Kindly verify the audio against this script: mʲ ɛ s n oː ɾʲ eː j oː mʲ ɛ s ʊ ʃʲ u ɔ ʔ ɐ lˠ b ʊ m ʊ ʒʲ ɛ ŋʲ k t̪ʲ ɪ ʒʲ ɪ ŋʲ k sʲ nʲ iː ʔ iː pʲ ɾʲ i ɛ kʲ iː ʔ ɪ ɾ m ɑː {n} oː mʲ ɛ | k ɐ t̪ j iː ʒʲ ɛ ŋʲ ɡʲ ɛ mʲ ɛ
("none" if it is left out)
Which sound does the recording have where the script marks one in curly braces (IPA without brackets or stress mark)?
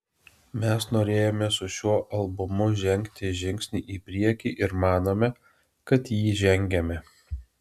n